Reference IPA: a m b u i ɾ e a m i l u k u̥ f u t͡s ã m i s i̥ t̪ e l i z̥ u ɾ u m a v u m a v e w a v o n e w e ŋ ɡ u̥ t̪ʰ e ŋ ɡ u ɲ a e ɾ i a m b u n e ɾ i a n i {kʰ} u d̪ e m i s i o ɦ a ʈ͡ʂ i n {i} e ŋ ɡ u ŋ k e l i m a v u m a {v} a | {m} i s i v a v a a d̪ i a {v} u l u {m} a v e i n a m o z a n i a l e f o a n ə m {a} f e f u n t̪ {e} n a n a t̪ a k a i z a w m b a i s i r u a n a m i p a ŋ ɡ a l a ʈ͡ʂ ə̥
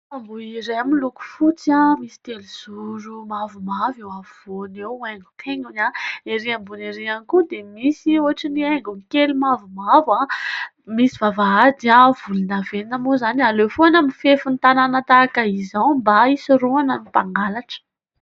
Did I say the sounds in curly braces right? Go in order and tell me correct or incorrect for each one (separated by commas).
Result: incorrect, correct, correct, correct, correct, incorrect, incorrect, incorrect